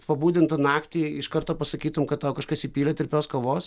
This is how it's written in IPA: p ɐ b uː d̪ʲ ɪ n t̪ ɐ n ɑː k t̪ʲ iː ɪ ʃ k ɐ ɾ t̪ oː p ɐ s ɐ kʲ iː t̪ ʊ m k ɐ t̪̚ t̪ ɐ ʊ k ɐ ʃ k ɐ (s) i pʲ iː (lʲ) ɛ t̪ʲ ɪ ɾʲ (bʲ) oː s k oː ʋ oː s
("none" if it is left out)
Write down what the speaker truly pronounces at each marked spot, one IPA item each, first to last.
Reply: s, lʲ, pʲ

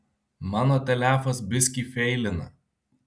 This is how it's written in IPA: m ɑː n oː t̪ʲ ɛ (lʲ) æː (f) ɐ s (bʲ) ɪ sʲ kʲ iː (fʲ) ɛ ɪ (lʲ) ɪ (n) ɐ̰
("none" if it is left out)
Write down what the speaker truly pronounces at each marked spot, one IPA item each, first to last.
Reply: lʲ, f, bʲ, fʲ, lʲ, n

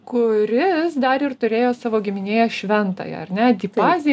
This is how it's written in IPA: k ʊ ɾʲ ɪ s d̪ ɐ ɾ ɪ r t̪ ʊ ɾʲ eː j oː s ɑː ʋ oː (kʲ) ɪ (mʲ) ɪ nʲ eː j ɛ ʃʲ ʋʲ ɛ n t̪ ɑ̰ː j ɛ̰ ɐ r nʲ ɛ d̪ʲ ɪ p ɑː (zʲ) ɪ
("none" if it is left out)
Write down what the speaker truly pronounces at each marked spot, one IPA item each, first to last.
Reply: ɡʲ, mʲ, zʲ

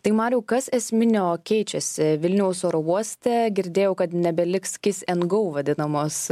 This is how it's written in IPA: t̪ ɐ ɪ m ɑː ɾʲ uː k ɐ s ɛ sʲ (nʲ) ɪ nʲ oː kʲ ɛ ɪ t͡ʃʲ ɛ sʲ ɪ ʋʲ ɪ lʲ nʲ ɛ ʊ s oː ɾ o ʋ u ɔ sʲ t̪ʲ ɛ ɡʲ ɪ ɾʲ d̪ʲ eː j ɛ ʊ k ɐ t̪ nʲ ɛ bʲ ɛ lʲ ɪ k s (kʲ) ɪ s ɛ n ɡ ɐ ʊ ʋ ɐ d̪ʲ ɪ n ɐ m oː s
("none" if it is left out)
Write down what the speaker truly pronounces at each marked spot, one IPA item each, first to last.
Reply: mʲ, kʲ

